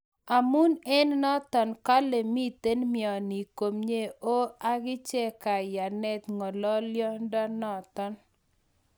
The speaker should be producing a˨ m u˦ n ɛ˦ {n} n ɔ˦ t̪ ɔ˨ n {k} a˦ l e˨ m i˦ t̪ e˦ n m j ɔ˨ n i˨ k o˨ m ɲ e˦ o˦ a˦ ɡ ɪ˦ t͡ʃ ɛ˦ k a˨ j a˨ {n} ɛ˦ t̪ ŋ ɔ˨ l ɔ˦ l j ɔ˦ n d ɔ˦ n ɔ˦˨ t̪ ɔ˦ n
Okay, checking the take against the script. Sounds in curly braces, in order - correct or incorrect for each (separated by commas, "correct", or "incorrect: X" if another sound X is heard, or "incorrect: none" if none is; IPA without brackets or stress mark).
correct, correct, correct